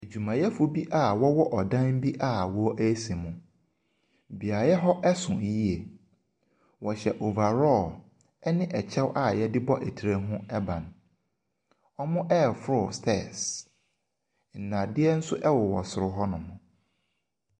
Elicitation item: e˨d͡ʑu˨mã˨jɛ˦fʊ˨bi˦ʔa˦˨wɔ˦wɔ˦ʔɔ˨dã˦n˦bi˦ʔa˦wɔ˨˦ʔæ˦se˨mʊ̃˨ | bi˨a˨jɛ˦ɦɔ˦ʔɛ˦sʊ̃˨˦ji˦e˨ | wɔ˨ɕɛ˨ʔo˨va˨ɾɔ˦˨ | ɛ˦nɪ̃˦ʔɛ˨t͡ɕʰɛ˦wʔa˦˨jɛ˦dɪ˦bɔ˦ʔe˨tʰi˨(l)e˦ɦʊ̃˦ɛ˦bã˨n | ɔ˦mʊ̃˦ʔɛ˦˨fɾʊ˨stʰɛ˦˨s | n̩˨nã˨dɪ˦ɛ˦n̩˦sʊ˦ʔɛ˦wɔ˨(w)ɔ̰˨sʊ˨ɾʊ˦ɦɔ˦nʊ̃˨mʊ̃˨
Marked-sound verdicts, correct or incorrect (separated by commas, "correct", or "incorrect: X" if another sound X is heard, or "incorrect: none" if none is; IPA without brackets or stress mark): incorrect: ɾ, correct